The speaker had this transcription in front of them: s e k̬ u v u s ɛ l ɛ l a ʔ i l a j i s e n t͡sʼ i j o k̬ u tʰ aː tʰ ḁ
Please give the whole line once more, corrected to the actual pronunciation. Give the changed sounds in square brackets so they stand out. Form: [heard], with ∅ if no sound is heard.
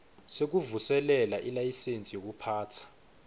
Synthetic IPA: s e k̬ u v u s ɛ l ɛ l a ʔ i l a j i s e n t͡sʼ i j o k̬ u [pʰ] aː tʰ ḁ